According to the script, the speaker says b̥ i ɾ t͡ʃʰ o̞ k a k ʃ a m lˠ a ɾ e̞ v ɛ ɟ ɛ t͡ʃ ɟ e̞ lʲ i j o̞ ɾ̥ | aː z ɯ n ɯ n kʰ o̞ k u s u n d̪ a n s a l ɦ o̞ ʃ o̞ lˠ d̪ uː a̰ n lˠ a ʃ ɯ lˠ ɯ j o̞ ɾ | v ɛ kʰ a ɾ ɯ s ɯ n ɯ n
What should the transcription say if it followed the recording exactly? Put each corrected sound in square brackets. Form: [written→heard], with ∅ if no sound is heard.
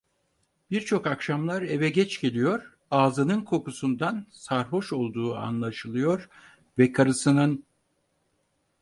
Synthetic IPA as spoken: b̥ i ɾ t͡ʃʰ o̞ k a k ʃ a m lˠ a ɾ e̞ v ɛ ɟ ɛ t͡ʃ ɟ e̞ lʲ i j o̞ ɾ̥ | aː z ɯ n ɯ n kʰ o̞ k u s u n d̪ a n s a [l→ɾ] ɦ o̞ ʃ o̞ lˠ d̪ uː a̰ n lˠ a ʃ ɯ lˠ ɯ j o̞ ɾ | v ɛ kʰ a ɾ ɯ s ɯ n ɯ n